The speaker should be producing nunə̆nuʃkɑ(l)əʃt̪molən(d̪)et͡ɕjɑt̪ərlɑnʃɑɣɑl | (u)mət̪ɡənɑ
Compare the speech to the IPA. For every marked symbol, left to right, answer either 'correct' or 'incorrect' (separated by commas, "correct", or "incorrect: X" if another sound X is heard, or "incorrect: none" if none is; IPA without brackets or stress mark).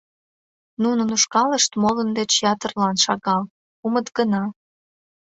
correct, correct, correct